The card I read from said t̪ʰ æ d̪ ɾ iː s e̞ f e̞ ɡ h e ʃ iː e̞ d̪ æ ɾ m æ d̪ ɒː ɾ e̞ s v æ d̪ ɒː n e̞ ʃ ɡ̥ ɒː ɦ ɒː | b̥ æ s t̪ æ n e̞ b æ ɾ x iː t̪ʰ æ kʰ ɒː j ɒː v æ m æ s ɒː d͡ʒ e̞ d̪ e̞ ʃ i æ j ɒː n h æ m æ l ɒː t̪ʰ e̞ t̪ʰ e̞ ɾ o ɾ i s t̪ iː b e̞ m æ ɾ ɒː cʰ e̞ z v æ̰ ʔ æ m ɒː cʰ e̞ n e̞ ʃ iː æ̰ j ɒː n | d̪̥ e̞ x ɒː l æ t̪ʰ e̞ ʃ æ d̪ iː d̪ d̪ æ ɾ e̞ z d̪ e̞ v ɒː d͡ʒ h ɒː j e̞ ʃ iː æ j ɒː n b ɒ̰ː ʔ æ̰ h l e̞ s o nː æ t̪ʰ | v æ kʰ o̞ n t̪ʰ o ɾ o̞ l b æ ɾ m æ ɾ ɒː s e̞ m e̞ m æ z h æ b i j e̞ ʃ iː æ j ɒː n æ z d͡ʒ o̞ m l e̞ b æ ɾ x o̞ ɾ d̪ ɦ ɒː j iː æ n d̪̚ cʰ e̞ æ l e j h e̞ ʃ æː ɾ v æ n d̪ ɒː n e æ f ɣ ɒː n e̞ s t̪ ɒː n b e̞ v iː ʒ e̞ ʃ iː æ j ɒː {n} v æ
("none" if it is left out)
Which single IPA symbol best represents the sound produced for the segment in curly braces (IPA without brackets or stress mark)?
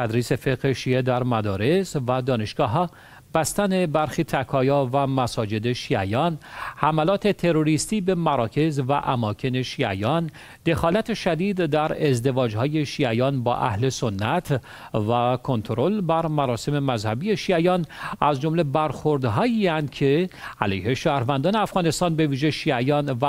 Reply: n